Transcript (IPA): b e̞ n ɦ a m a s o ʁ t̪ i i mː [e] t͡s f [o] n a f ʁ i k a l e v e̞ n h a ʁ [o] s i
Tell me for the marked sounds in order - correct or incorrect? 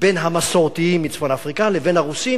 incorrect, correct, incorrect

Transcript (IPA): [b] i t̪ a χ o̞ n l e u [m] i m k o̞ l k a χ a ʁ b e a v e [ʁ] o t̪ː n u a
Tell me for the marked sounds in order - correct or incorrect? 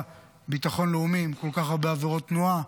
correct, correct, correct

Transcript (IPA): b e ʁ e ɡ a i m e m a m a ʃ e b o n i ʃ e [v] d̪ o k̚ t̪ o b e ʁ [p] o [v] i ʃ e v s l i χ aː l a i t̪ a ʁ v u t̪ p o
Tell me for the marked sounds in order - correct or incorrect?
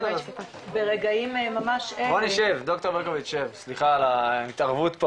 correct, incorrect, correct

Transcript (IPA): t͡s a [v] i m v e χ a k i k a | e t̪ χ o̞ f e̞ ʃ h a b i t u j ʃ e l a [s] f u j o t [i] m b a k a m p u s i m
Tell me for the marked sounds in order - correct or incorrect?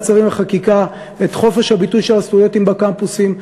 incorrect, correct, correct

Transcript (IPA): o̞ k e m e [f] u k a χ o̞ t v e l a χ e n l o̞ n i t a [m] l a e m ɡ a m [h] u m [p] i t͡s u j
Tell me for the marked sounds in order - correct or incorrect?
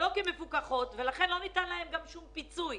correct, incorrect, incorrect, correct

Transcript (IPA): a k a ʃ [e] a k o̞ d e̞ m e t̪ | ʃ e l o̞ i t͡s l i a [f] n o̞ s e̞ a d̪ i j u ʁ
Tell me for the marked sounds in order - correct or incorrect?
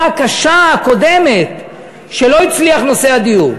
incorrect, incorrect

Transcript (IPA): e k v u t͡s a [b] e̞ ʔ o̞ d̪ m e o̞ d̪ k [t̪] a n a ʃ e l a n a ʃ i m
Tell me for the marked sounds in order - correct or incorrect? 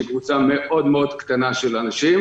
incorrect, correct

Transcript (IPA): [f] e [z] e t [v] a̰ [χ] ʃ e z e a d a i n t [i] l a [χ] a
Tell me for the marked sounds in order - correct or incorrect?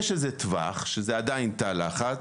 incorrect, correct, correct, correct, incorrect, correct

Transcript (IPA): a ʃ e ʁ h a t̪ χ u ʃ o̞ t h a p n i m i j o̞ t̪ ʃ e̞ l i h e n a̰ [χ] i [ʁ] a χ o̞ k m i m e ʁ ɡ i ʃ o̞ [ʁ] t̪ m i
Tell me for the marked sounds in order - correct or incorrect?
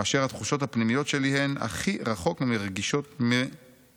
correct, correct, incorrect

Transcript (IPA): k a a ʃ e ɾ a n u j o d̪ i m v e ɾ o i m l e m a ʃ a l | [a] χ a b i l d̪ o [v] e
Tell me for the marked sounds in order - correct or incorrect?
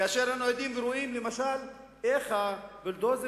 incorrect, incorrect

